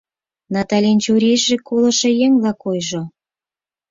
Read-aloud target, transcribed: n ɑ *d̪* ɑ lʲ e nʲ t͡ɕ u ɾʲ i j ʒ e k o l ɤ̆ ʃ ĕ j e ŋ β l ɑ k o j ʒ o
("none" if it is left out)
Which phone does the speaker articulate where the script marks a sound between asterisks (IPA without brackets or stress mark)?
t̪